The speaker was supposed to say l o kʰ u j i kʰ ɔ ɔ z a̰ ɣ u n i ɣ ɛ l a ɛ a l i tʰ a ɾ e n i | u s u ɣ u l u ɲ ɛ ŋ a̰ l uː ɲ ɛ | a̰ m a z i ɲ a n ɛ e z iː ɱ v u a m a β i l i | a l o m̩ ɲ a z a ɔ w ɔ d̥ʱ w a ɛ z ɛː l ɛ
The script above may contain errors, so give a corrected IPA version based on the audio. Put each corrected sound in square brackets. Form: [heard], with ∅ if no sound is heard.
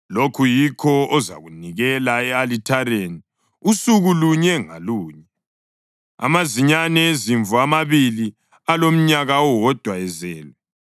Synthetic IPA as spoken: l o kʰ u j i kʰ ɔ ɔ z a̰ ɣ u n i ɣ ɛ l a ɛ a l i tʰ a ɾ e n i | u s u ɣ u l u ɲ ɛ ŋ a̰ l uː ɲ ɛ | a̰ m a z i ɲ a n ɛ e z [i] ɱ v u a m a β i l i | a l o m̩ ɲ a [ɣ] a ɔ w ɔ d̥ʱ w a ɛ z ɛː l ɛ